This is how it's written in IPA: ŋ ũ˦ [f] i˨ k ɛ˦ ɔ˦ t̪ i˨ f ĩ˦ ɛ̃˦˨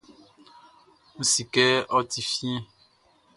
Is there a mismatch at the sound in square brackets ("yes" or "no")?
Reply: yes